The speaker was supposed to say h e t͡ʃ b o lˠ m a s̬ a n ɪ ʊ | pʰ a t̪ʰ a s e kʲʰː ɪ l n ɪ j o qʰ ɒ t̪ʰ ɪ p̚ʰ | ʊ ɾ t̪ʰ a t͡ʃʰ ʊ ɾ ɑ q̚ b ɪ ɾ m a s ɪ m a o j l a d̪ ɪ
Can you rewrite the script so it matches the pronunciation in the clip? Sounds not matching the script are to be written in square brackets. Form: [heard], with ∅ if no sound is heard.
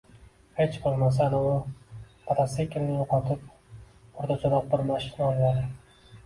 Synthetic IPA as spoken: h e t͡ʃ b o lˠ m a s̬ a n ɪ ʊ | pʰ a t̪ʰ a s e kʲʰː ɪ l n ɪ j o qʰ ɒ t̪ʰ ɪ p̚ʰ | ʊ ɾ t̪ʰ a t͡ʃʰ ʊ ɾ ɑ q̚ b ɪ ɾ m a [ʃ] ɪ [n] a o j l a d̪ ɪ